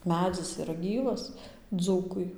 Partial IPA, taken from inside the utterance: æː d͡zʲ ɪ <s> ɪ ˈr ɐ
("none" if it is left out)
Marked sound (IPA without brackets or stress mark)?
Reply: s